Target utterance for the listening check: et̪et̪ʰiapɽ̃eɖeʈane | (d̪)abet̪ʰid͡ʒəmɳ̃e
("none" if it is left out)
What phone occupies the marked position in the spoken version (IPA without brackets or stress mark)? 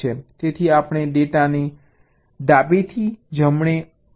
d̪